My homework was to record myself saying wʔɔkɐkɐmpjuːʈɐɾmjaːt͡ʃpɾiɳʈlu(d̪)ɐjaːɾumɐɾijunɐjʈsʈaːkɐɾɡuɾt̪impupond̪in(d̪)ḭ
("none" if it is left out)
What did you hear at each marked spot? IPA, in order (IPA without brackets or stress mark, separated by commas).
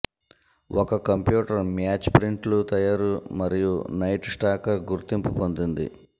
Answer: t̪, d̪